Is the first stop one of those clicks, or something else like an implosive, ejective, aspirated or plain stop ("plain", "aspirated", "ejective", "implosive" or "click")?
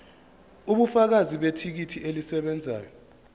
implosive